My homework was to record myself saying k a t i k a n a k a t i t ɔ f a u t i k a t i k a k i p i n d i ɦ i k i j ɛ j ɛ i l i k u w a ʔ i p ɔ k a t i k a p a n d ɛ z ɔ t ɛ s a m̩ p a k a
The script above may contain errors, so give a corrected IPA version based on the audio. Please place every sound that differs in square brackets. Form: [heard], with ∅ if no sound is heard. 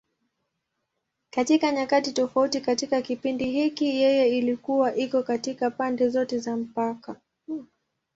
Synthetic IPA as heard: k a t i k a [ɲ] a k a t i t ɔ f a u t i k a t i k a k i p i n d i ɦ i k i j ɛ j ɛ i l i k u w a ʔ i [k] ɔ k a t i k a p a n d ɛ z ɔ t ɛ [z] a m̩ p a k a